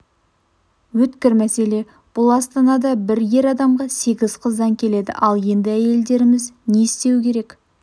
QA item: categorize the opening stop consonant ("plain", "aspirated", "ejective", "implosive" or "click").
plain